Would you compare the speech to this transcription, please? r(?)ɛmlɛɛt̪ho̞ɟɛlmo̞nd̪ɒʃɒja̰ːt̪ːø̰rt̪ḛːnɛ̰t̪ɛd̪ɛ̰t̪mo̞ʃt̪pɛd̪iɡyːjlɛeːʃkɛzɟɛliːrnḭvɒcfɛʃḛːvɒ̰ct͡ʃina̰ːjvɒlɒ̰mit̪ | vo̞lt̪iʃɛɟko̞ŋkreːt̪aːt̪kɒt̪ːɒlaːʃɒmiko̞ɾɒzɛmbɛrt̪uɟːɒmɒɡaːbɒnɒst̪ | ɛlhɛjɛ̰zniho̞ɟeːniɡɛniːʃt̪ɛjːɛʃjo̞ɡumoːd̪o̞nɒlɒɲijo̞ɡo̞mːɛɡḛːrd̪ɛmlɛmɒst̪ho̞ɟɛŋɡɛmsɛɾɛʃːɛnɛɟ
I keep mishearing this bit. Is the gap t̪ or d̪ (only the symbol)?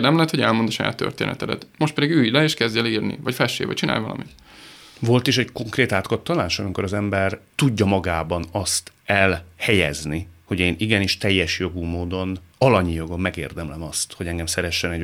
d̪